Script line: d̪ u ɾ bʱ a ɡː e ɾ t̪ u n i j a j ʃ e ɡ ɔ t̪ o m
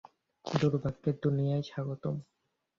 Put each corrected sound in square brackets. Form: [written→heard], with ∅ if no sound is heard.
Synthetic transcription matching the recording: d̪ u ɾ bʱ a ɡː e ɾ [t̪→d̪] u n i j a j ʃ [e→a] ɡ [ɔ→o] t̪ o m